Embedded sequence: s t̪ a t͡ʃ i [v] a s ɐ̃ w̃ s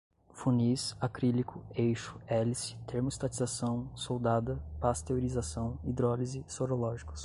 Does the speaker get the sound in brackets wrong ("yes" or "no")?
yes